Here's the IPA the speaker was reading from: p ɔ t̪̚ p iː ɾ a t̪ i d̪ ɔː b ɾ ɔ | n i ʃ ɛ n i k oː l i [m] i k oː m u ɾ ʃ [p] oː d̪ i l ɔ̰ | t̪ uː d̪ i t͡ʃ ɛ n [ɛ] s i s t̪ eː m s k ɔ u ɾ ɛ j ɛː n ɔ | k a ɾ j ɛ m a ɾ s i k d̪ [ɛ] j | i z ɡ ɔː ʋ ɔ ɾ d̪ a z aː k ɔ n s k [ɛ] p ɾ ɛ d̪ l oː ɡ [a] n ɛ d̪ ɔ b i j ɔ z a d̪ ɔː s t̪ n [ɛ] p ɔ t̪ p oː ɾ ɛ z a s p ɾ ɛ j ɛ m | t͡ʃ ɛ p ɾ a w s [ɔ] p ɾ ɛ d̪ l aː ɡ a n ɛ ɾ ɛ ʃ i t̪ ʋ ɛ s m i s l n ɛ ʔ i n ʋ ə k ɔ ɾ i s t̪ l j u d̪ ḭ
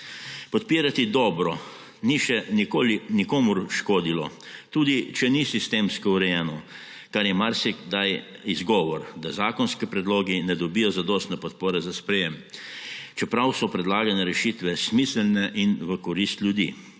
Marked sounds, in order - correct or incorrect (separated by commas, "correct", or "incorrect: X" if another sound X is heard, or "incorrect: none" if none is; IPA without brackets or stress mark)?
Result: incorrect: n, incorrect: k, incorrect: i, incorrect: a, incorrect: i, incorrect: i, correct, correct